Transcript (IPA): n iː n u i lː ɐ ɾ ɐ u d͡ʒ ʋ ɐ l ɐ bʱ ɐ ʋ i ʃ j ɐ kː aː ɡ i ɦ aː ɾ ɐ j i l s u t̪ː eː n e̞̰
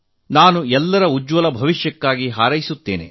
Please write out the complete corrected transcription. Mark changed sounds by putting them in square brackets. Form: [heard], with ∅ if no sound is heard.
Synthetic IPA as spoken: n [aː] n u [ɛ] lː ɐ ɾ ɐ u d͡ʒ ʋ ɐ l ɐ bʱ ɐ ʋ i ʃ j ɐ kː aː ɡ i ɦ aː ɾ ɐ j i [∅] s u t̪ː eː n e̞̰